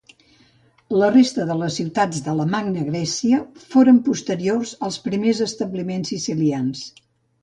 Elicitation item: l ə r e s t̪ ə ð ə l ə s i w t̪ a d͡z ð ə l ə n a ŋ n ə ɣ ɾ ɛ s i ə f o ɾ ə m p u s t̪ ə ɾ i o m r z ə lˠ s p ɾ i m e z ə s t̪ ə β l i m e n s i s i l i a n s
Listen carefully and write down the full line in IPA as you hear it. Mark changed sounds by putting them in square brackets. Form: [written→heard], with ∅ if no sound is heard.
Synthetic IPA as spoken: l ə r e s t̪ ə ð ə l ə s i w t̪ a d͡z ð ə l ə [n→m] a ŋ n ə ɣ ɾ ɛ s i ə f o ɾ ə m p u s t̪ ə ɾ i o [m→∅] r z ə lˠ s p ɾ i m e z ə s t̪ ə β l i m e n s i s i l i a n s